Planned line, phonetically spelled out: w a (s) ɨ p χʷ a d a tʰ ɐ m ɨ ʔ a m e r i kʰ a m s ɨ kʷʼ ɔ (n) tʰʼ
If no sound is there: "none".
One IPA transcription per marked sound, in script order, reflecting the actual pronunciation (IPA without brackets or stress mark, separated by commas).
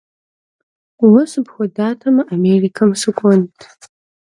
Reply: s, n